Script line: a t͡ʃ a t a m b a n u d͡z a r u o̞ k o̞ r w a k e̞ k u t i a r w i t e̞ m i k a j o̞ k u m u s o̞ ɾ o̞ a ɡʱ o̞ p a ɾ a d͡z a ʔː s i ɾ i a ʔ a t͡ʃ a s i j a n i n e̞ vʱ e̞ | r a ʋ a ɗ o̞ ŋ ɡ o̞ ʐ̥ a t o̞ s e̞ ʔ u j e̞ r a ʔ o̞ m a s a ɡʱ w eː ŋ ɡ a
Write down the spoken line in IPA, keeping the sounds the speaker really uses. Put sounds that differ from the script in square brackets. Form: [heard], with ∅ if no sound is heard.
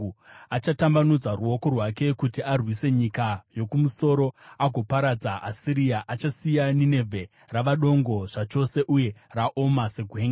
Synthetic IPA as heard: a t͡ʃ a t a m b a n u d͡z a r u o̞ k o̞ r w a k e̞ k u t i a r w i [s] e̞ [ɲ] i k a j o̞ k u m u s o̞ ɾ o̞ a ɡʱ o̞ p a ɾ a d͡z a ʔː s i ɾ i a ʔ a t͡ʃ a s i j a n i n e̞ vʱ e̞ | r a ʋ a ɗ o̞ ŋ ɡ o̞ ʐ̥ a [t͡ʃ] o̞ s e̞ ʔ u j e̞ r a ʔ o̞ m a s [e] ɡʱ w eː ŋ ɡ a

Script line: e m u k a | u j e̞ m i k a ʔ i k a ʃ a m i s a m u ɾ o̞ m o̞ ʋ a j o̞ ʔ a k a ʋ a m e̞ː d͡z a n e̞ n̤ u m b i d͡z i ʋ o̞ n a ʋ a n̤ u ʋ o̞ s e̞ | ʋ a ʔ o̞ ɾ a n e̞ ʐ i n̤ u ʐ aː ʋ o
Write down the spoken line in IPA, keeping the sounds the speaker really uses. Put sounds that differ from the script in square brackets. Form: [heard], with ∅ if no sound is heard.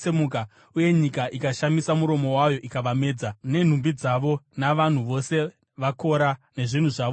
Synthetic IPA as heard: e m u k a | u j e̞ [ɲ] i k a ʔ i k a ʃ a m i s a m u ɾ o̞ m o̞ [w] a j o̞ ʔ [i] k a ʋ a m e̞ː d͡z a n e̞ n̤ u m b i d͡z [a] ʋ o̞ n a ʋ a n̤ u ʋ o̞ s e̞ | ʋ a [k] o̞ ɾ a n e̞ ʐ i n̤ u ʐ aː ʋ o

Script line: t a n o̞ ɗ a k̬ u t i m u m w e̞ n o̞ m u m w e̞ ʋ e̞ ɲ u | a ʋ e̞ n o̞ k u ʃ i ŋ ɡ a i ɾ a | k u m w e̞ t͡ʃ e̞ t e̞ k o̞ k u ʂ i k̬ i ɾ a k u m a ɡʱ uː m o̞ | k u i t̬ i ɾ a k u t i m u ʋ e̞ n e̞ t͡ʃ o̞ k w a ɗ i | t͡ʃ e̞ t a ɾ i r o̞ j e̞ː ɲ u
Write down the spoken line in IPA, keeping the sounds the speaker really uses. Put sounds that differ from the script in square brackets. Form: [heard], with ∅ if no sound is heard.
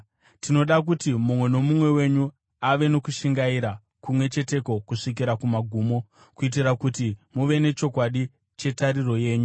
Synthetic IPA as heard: t [i] n o̞ ɗ a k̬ u t i m u m w e̞ n o̞ m u m w e̞ [w] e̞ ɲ u | a ʋ e̞ n o̞ k u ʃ i ŋ ɡ a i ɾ a | k u m w e̞ t͡ʃ e̞ t e̞ k o̞ k u ʂ i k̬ i ɾ a k u m a ɡʱ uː m o̞ | k u i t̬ i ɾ a k u t i m u ʋ e̞ n e̞ t͡ʃ o̞ k w a ɗ i | t͡ʃ e̞ t a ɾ i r o̞ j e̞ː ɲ u

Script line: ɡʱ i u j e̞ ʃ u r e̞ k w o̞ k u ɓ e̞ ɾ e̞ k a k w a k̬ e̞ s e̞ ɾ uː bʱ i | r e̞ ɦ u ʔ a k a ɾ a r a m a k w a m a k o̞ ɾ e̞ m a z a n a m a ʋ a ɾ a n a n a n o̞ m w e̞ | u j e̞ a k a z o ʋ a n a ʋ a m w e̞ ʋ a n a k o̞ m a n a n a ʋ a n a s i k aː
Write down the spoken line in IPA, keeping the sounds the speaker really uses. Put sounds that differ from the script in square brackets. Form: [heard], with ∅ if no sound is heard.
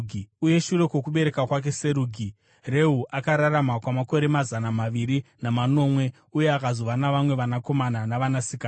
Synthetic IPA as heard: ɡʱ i u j e̞ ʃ u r e̞ k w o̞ k u ɓ e̞ ɾ e̞ k a k w a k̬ e̞ s e̞ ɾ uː [ɡʱ] i | r e̞ ɦ u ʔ a k a ɾ a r a m a k w a m a k o̞ ɾ e̞ m a z a n a m a ʋ [i] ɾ [i] n a [m] a n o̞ m w e̞ | u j e̞ a k a z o ʋ a n a ʋ a m w e̞ ʋ a n a k o̞ m a n a n a ʋ a n a s i k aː

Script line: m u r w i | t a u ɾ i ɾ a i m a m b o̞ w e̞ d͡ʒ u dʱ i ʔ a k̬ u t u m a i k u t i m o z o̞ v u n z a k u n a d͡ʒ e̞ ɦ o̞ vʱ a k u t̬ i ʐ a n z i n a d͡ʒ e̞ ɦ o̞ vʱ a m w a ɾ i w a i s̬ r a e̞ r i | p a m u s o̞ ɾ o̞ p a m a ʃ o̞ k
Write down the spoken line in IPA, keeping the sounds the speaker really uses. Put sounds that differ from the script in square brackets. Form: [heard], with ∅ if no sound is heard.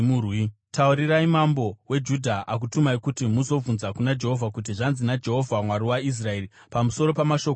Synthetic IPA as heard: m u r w i | t a u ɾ i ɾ a i m a m b o̞ w e̞ d͡ʒ u dʱ [a] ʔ a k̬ u t u m a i k u t i m [u] z o̞ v u n z a k u n a d͡ʒ e̞ ɦ o̞ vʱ a k u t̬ i ʐ a n z i n a d͡ʒ e̞ ɦ o̞ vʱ a m w a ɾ i w a i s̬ r a e̞ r i | p a m u s o̞ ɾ o̞ p a m a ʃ o̞ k

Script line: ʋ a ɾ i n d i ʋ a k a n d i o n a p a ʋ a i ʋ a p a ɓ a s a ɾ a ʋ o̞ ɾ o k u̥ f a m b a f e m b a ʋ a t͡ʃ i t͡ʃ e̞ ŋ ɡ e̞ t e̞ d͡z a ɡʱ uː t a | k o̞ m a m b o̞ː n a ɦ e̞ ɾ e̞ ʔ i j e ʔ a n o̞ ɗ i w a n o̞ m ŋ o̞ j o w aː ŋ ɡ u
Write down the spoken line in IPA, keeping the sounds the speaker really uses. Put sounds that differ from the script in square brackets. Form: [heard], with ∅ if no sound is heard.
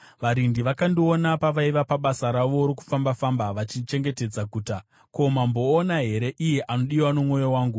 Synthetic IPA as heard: ʋ a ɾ i n d i ʋ a k a n d i o n a p a ʋ a i ʋ a p a ɓ a s a ɾ a ʋ o̞ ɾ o k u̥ f a m b a f [a] m b a ʋ a t͡ʃ i t͡ʃ e̞ ŋ ɡ e̞ t e̞ d͡z a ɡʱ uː t a | k o̞ m a m b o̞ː n a ɦ e̞ ɾ e̞ ʔ i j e ʔ a n o̞ ɗ i w a n o̞ m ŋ o̞ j o w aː ŋ ɡ u

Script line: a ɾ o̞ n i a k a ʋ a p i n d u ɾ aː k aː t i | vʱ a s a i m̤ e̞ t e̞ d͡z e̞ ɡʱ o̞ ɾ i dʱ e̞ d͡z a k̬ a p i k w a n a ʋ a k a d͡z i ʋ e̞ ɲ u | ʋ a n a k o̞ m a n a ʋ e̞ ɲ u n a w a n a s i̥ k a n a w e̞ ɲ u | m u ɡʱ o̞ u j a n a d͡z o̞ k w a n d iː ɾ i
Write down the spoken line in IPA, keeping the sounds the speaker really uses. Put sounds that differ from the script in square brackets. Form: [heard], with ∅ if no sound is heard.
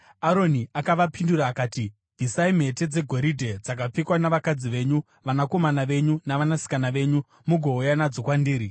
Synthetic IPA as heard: a ɾ o̞ n i a k a ʋ a p i n d u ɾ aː k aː t i | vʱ [i] s a i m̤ e̞ t e̞ d͡z e̞ ɡʱ o̞ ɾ i dʱ e̞ d͡z a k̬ a [p͡f] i k w a n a ʋ a k a d͡z i ʋ e̞ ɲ u | ʋ a n a k o̞ m a n a ʋ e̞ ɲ u n a [ʋ] a n a s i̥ k a n a [ʋ] e̞ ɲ u | m u ɡʱ o̞ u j a n a d͡z o̞ k w a n d iː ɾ i

